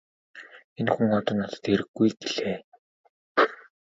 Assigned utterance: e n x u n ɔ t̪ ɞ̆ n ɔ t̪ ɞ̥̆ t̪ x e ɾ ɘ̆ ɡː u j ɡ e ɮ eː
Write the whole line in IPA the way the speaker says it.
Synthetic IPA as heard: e n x u ŋ ɔ t̪ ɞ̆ n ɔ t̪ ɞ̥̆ t̪ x e ɾ ɘ̆ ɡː u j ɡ e ɮ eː